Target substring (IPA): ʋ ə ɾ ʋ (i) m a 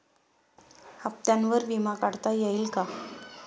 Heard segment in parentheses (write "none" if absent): i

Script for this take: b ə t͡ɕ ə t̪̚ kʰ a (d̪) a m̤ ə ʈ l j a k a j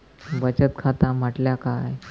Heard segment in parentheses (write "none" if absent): t̪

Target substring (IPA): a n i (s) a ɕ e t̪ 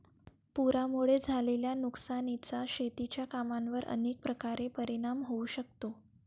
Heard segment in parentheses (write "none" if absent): t͡s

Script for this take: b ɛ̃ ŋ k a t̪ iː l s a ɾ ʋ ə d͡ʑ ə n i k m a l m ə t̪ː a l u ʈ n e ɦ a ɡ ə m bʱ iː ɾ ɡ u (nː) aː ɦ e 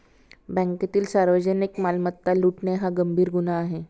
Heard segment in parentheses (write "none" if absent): n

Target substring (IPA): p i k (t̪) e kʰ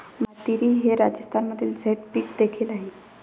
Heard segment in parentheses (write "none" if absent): d̪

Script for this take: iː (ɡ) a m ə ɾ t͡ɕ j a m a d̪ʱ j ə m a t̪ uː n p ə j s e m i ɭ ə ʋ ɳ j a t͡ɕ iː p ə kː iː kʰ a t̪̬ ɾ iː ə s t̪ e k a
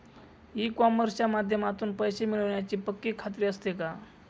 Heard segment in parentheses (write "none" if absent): k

